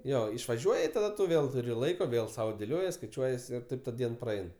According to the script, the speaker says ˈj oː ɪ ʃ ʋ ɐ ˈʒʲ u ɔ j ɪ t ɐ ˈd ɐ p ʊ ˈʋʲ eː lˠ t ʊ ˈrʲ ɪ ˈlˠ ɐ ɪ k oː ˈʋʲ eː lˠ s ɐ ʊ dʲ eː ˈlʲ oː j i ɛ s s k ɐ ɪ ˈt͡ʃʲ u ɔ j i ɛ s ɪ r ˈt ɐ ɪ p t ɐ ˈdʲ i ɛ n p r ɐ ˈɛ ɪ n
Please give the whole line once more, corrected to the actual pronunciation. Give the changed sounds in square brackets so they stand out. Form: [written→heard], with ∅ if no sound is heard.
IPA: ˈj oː ɪ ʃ ʋ ɐ ˈʒʲ u ɔ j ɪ t ɐ ˈd ɐ [p→t] ʊ ˈʋʲ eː lˠ t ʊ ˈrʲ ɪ ˈlˠ ɐ ɪ k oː ˈʋʲ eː lˠ s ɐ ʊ dʲ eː ˈlʲ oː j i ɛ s s k ɐ ɪ ˈt͡ʃʲ u ɔ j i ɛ s ɪ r ˈt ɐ ɪ p t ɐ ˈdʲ i ɛ n p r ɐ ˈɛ ɪ n